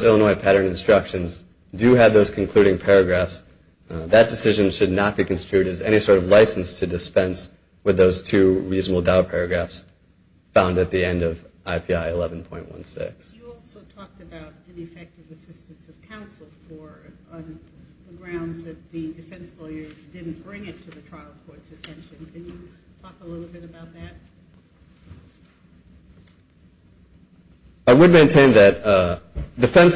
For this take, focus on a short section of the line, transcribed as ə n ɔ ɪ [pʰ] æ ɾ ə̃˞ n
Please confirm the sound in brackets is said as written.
yes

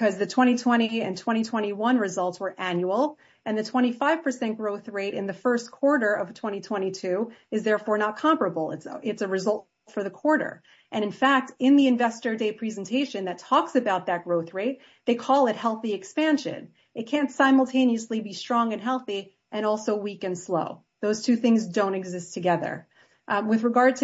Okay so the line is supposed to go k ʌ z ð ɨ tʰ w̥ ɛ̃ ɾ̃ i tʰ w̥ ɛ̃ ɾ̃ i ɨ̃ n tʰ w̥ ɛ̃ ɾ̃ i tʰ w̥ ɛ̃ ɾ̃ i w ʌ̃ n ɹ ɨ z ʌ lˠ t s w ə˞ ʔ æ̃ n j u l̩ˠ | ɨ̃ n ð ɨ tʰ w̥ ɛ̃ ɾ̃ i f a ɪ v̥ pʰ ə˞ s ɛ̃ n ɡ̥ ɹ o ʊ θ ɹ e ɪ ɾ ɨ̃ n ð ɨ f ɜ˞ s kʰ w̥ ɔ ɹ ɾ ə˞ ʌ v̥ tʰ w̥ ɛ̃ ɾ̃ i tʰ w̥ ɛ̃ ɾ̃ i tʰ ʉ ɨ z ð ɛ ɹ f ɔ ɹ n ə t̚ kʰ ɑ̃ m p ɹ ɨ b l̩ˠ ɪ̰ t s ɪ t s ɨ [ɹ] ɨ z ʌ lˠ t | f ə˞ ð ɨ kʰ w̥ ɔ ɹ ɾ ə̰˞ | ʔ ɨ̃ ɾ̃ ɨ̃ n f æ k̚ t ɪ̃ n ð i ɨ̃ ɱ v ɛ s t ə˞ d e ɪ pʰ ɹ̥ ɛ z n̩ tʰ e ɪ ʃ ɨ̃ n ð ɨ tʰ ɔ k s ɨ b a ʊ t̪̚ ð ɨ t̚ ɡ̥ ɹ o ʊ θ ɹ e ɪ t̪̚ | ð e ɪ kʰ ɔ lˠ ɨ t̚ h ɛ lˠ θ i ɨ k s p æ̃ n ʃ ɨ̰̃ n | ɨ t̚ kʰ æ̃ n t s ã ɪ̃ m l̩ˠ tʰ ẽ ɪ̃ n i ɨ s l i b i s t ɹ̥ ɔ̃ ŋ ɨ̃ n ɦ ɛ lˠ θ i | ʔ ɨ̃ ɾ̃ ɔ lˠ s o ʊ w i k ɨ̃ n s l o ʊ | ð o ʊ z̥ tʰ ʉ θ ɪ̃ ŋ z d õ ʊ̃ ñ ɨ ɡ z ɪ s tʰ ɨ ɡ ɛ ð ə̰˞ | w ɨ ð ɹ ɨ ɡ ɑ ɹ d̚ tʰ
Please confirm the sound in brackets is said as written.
yes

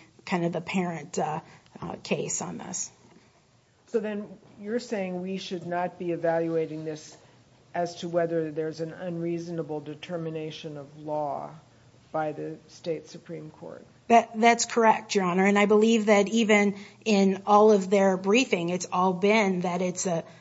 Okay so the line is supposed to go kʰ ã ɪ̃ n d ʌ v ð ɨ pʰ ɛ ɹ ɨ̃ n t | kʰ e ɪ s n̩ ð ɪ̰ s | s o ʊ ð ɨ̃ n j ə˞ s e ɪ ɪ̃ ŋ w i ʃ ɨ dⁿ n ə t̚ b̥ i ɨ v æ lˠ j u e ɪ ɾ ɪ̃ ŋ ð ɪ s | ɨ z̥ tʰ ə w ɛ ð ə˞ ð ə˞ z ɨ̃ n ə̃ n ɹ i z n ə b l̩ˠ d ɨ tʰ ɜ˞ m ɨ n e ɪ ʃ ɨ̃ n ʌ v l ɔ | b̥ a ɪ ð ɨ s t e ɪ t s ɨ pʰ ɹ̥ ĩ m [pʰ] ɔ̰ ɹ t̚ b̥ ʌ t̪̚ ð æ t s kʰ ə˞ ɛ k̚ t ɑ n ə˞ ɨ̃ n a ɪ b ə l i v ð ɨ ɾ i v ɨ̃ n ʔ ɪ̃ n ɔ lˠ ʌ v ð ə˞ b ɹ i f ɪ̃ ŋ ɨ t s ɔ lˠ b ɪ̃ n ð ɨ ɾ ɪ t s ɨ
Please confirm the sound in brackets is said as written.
no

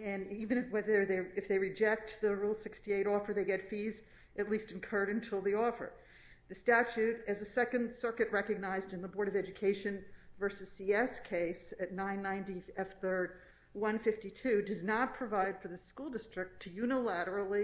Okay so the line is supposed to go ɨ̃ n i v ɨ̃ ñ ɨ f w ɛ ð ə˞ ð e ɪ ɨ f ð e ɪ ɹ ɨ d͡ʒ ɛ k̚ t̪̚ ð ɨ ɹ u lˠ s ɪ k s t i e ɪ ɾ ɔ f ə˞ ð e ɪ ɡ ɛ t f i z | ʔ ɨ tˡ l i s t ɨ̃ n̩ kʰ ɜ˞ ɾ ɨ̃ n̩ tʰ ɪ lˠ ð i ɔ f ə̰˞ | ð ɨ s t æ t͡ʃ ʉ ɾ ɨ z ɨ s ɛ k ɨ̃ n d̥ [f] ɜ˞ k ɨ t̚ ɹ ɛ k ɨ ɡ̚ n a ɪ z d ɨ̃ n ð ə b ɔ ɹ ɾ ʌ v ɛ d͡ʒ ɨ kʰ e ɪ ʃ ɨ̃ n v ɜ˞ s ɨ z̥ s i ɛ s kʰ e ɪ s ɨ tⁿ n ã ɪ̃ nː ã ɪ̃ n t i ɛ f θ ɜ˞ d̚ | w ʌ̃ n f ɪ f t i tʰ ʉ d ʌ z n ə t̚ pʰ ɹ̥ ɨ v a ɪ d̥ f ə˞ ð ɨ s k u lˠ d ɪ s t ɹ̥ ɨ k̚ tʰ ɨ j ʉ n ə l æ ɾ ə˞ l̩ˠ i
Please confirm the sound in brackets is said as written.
no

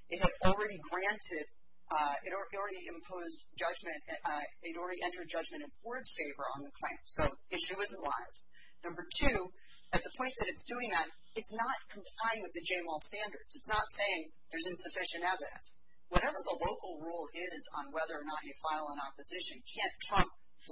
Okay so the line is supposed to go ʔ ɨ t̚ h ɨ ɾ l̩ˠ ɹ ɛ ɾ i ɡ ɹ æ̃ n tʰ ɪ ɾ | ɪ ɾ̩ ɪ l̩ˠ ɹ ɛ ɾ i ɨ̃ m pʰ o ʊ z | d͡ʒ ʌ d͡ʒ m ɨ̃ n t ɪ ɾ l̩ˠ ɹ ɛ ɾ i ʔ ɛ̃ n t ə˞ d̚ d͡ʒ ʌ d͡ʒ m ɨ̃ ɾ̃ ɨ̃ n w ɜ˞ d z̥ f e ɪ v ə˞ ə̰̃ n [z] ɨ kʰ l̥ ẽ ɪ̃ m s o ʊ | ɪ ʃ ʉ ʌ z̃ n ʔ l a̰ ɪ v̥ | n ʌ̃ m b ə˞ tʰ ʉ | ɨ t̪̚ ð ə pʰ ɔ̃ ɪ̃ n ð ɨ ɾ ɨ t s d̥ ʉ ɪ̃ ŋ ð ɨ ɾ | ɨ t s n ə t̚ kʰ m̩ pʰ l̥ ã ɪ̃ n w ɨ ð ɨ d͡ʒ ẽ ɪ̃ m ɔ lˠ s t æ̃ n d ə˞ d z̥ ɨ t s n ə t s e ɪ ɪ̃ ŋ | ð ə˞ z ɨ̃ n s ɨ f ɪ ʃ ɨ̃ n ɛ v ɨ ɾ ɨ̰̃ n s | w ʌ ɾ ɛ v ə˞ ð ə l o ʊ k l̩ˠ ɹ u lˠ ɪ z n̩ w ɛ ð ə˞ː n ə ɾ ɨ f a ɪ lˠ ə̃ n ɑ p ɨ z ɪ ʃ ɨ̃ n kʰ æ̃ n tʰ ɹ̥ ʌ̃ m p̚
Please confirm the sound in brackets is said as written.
no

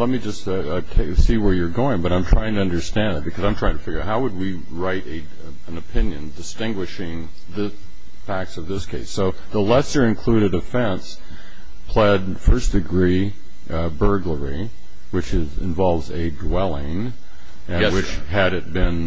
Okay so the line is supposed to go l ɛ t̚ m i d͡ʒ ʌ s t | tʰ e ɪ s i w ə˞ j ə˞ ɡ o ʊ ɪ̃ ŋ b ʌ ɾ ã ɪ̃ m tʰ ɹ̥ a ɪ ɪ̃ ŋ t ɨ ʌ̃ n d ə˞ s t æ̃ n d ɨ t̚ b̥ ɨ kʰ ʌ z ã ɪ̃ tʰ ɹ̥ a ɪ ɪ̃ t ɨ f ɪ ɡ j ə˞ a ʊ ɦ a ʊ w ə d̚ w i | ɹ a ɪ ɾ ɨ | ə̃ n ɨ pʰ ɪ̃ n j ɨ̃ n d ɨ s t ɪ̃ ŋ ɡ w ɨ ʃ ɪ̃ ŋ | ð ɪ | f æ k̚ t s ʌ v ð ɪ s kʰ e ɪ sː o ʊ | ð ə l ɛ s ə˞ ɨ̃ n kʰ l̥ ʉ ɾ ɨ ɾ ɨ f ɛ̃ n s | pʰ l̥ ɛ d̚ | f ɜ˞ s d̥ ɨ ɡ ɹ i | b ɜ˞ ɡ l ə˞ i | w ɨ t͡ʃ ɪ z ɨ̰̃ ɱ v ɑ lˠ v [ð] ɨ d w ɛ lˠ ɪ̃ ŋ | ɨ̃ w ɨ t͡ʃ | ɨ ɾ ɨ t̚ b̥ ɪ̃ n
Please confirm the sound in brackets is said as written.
no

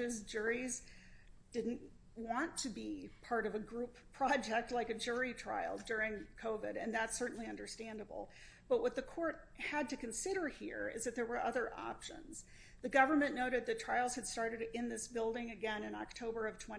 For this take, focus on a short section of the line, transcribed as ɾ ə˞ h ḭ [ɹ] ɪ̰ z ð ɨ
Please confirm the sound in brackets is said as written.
yes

